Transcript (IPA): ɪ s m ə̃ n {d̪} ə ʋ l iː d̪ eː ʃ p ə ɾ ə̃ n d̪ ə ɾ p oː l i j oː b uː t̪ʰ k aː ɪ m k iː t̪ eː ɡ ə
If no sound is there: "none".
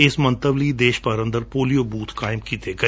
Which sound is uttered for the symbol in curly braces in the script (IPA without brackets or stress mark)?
t̪